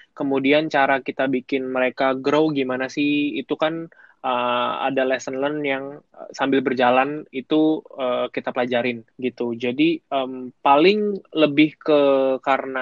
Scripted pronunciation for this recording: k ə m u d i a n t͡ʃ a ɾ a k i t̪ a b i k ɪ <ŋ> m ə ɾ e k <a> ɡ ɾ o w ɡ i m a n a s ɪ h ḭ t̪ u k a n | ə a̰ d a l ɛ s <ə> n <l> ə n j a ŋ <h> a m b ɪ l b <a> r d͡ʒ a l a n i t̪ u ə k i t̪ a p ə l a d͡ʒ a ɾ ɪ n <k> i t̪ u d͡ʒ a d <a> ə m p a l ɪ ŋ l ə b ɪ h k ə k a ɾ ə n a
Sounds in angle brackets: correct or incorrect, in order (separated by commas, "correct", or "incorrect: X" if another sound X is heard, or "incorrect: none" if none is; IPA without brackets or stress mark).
incorrect: n, correct, correct, correct, incorrect: s, incorrect: ə, incorrect: ɡ, incorrect: i